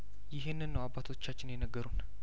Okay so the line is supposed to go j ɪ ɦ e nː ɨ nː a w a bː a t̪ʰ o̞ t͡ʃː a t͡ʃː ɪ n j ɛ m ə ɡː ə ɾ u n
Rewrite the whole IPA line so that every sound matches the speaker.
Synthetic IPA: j ɪ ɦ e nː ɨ nː ə w a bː a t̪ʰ o̞ t͡ʃː a t͡ʃː ɪ n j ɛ n ə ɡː ə ɾ u n